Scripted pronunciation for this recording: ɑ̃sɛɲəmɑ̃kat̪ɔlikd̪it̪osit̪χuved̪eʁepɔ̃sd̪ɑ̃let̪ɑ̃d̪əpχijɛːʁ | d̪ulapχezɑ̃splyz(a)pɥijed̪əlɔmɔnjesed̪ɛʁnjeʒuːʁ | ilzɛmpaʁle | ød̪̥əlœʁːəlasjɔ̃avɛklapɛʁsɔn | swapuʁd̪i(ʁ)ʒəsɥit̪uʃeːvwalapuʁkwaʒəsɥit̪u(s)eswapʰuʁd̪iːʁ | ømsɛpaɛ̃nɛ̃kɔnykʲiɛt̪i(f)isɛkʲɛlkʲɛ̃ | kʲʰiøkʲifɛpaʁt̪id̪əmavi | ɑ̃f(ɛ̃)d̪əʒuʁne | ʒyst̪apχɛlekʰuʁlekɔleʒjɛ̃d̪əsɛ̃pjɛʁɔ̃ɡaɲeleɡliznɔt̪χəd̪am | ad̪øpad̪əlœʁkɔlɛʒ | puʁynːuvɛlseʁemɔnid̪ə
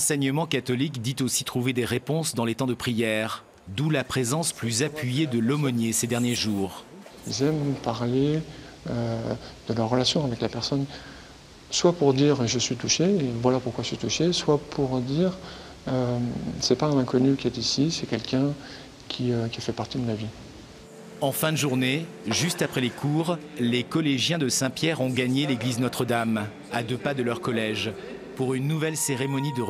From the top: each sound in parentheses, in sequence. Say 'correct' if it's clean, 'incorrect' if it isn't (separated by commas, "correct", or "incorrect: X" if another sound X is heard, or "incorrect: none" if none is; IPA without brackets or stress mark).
correct, correct, incorrect: ʃ, incorrect: s, correct